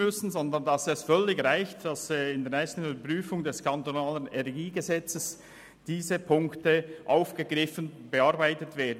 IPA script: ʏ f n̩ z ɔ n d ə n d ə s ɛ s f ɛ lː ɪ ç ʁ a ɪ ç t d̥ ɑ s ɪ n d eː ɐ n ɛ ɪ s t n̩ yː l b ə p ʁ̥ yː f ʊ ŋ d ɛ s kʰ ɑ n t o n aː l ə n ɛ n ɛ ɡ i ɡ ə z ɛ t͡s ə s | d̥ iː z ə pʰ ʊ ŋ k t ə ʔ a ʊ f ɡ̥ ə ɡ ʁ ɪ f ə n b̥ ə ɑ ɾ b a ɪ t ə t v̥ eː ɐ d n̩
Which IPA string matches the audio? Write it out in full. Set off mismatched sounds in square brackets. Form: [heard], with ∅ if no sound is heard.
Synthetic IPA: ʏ [s] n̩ z ɔ n d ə n d [ɑ] s ɛ s f [œ] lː ɪ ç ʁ a ɪ ç t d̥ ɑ s ɪ n d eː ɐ n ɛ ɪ s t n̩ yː [∅] b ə p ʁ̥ yː f ʊ ŋ d ɛ s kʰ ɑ n t o n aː l ə n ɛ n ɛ ɡ [iː] ɡ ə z ɛ t͡s ə s | d̥ iː z ə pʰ ʊ ŋ k t ə ʔ a ʊ f ɡ̥ ə ɡ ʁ ɪ f ə n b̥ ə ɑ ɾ b a ɪ t ə t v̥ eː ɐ d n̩